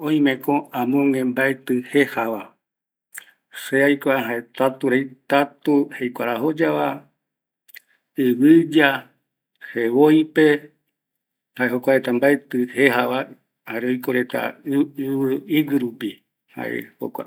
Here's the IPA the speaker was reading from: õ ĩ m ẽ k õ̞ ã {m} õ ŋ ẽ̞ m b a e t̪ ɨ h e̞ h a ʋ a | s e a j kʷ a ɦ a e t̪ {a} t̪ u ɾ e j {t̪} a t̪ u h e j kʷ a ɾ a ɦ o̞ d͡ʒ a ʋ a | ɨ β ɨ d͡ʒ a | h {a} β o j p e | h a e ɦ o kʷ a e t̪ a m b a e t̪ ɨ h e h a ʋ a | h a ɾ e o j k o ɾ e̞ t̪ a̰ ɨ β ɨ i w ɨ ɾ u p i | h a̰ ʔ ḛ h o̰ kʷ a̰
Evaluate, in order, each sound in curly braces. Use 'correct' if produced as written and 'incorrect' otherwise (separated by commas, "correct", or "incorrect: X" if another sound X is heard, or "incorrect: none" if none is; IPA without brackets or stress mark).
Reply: correct, correct, correct, incorrect: e